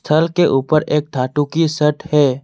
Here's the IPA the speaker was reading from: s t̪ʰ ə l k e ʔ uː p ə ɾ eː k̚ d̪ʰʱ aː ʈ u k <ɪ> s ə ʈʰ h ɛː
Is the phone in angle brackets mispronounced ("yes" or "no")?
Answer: yes